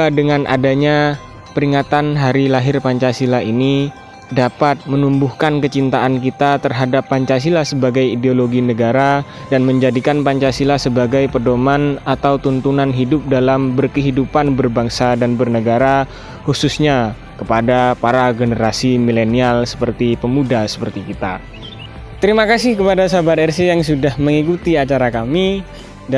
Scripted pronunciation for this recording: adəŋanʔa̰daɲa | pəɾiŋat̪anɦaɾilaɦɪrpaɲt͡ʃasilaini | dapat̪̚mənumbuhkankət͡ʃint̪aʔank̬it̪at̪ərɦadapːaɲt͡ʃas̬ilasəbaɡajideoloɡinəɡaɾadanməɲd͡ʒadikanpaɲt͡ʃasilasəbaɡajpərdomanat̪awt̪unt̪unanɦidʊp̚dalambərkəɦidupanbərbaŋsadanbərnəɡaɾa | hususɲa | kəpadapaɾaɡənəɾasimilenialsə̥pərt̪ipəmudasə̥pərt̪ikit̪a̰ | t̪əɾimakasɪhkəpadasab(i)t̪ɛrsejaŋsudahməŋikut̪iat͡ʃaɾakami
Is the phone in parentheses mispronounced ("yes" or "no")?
yes